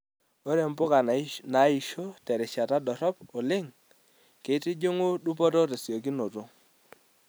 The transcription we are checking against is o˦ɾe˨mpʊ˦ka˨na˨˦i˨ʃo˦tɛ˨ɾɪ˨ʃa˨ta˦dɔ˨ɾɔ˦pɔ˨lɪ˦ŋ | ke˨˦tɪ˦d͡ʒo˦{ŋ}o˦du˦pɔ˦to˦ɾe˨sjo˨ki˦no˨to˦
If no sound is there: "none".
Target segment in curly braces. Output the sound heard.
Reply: ŋ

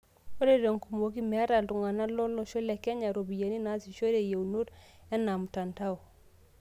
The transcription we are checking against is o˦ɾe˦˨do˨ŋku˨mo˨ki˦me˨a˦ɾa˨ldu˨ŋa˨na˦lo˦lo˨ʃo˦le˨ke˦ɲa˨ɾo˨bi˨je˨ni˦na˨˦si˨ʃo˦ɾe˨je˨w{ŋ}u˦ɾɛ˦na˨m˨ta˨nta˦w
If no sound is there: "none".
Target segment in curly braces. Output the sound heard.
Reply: n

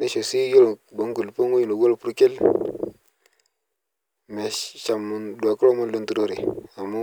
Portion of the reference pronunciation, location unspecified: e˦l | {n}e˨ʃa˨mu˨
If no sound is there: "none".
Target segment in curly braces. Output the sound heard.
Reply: m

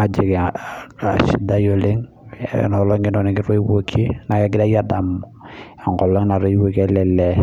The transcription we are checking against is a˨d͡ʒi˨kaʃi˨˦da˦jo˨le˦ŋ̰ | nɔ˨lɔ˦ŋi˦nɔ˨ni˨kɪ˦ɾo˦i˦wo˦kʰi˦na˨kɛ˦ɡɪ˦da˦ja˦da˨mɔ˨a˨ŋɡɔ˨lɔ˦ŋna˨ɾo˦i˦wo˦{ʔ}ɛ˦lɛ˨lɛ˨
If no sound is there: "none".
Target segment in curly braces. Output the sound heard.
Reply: k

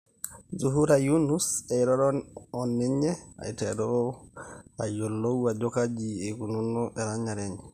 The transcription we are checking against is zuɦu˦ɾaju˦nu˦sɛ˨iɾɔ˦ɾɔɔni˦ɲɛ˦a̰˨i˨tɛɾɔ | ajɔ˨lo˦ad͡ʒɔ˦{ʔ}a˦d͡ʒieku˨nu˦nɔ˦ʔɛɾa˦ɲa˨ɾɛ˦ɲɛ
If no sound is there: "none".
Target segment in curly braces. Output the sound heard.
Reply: k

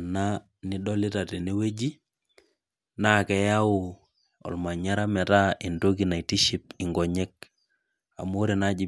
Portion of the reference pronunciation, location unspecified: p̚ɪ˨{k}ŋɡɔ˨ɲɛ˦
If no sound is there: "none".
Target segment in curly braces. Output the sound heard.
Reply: none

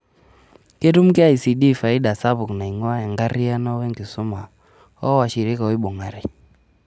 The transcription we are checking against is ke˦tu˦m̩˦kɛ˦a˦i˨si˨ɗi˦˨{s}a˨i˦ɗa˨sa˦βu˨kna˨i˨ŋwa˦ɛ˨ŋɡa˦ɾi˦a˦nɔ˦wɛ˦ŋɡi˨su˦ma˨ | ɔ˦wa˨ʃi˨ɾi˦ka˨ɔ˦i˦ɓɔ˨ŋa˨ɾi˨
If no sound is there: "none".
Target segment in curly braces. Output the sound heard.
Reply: f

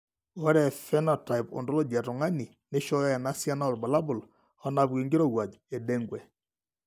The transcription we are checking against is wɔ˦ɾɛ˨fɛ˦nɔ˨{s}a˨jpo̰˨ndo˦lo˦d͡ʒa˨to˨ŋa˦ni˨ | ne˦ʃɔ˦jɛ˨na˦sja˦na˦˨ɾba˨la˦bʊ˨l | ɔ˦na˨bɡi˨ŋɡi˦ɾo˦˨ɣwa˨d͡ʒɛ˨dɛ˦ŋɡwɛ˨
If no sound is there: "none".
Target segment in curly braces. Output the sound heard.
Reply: t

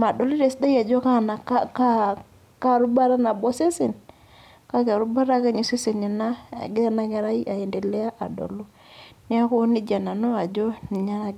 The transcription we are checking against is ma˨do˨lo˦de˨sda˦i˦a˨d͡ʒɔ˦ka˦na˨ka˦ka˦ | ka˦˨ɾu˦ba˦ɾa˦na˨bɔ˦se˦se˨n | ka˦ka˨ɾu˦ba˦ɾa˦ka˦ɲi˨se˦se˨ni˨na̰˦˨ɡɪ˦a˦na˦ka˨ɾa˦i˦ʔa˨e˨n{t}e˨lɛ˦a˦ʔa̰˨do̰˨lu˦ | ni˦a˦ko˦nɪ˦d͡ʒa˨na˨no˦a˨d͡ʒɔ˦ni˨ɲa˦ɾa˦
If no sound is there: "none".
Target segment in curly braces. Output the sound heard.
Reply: d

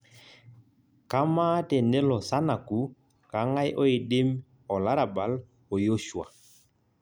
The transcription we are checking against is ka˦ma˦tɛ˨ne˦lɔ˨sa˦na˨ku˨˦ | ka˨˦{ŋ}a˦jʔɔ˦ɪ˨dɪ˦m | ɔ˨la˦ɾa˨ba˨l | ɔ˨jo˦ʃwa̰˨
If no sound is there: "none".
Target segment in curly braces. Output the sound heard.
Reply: ŋ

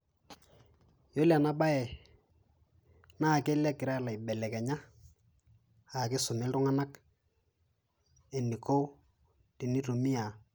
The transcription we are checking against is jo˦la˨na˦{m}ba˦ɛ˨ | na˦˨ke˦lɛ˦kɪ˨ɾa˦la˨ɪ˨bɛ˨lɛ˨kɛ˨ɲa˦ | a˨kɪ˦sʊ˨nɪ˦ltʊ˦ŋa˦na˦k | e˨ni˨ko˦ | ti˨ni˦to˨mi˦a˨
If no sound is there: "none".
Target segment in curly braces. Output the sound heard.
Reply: none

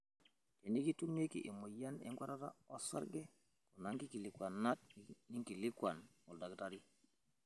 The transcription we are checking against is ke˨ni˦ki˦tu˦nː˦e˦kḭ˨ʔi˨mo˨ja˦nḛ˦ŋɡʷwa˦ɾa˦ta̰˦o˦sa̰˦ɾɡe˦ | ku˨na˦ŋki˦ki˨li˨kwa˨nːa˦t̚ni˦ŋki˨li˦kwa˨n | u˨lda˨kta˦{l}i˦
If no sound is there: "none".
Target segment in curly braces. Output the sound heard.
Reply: ɾ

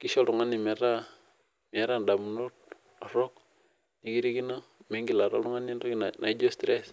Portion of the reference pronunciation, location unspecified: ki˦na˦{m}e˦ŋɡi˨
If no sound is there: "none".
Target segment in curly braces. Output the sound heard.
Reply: m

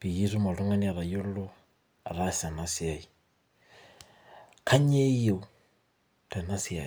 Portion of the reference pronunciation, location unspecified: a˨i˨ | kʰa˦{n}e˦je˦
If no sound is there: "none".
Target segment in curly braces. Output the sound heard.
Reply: ɲ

